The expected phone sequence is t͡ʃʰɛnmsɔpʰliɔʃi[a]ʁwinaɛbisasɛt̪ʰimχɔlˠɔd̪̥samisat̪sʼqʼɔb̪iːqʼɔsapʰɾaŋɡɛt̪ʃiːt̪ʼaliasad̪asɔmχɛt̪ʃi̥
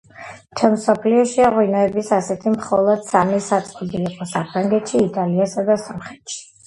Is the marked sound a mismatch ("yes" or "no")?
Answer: no